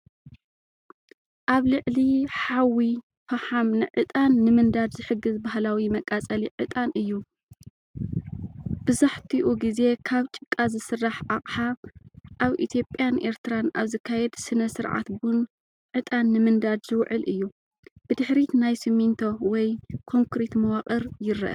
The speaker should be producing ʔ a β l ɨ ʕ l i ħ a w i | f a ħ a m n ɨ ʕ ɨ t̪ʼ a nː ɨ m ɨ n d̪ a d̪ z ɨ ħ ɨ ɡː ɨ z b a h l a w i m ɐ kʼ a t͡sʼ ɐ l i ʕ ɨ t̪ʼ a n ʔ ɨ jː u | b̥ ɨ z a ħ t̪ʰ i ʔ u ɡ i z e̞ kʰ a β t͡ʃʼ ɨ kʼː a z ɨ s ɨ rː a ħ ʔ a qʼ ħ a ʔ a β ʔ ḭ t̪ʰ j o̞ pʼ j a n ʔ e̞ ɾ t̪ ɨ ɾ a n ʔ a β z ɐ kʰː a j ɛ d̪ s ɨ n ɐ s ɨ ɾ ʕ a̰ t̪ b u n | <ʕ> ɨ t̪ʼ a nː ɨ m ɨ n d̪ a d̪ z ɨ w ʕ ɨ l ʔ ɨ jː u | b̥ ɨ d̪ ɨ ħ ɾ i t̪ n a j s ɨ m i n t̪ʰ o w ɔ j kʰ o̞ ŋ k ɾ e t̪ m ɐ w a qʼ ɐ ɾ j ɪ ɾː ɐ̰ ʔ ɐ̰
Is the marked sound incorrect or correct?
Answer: correct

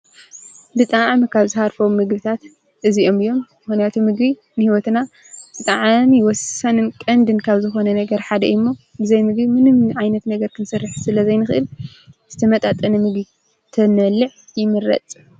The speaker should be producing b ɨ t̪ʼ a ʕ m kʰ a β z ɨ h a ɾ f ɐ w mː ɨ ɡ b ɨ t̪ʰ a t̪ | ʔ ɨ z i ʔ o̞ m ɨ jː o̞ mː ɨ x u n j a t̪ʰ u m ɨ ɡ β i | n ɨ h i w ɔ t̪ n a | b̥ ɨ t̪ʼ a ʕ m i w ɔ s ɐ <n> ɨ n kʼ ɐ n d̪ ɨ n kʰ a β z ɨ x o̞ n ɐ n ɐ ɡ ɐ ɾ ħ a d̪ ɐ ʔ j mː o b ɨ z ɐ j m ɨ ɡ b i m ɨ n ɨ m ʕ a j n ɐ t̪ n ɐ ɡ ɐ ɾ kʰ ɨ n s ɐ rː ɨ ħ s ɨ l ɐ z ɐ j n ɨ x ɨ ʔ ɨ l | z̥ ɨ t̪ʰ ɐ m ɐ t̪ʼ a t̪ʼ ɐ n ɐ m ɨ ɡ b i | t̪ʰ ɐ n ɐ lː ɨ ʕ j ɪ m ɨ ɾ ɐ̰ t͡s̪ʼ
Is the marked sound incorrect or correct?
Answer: correct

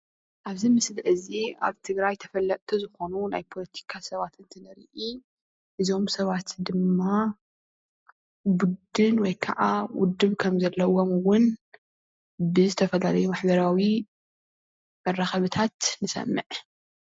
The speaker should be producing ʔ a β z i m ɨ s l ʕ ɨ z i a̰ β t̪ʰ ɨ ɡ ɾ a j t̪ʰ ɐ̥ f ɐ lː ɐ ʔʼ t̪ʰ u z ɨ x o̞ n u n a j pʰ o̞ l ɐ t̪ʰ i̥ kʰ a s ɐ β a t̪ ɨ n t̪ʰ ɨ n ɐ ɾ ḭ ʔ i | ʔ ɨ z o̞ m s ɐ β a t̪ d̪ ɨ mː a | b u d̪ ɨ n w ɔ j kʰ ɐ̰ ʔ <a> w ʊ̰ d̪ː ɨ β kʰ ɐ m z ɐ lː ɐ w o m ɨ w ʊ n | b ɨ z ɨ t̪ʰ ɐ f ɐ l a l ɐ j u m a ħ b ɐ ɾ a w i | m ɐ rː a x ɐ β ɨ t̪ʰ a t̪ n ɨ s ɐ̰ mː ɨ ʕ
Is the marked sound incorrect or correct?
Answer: correct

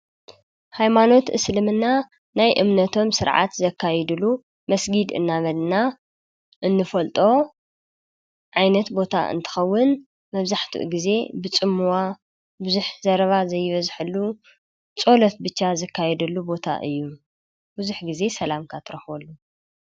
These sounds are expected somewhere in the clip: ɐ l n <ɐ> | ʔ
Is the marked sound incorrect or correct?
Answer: incorrect: a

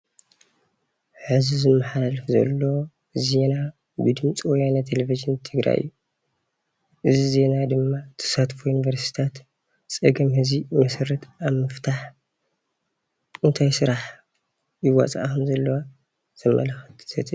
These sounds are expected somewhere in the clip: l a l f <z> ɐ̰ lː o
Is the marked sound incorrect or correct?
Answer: correct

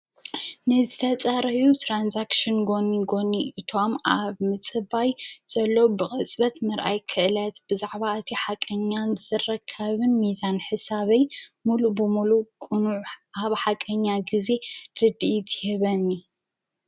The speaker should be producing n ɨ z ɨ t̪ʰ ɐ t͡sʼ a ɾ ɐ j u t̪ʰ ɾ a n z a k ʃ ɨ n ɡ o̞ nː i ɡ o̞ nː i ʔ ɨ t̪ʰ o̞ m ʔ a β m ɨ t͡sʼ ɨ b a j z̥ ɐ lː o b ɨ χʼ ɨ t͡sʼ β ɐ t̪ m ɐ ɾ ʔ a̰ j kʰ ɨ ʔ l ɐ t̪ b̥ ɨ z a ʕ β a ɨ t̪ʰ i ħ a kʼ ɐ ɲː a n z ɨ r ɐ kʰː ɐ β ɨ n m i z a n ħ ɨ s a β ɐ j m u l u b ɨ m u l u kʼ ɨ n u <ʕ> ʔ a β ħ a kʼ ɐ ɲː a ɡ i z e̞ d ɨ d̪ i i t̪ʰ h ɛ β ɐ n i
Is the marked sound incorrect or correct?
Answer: correct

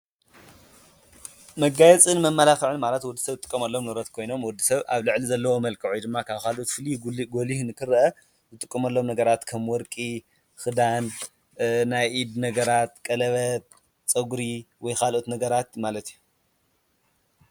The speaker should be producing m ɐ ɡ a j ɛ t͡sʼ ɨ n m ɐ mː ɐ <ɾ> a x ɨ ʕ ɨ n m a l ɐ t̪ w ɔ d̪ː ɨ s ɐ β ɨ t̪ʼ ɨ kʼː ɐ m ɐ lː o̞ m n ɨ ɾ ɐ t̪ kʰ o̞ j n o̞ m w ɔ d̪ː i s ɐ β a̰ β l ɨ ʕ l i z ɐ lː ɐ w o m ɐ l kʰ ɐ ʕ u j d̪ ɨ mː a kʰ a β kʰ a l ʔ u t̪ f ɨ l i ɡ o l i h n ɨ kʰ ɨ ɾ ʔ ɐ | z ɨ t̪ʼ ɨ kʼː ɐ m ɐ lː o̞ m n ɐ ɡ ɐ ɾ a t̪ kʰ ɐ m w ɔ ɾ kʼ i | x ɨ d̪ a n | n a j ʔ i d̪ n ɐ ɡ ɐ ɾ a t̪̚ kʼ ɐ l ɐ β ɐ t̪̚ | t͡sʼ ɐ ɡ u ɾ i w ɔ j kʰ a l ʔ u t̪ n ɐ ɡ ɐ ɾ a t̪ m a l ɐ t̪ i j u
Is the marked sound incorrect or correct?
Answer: incorrect: l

